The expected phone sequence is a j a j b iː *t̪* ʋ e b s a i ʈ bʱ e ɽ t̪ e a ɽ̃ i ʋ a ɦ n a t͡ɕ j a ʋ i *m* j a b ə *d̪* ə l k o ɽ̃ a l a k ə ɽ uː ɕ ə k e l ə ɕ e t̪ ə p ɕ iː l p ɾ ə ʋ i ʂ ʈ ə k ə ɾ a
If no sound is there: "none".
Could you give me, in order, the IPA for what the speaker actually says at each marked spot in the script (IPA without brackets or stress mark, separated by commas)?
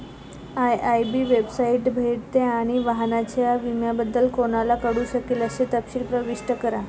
none, m, d̪ː